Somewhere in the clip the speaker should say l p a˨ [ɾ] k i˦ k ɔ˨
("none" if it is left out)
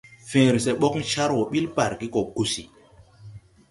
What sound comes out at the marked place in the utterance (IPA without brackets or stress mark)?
ɾ